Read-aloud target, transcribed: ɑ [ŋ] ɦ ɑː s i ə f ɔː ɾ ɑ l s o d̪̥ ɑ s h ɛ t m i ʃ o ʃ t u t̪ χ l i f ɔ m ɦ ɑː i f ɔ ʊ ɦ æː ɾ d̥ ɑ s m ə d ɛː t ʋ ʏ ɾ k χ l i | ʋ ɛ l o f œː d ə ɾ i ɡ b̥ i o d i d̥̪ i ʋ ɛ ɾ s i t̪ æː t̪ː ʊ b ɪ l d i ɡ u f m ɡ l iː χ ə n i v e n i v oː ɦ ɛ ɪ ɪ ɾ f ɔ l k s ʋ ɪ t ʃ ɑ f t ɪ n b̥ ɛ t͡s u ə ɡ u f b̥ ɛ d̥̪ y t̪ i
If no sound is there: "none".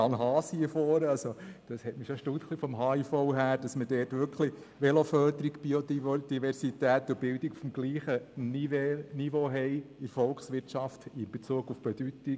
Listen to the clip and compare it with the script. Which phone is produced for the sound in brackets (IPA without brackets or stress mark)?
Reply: n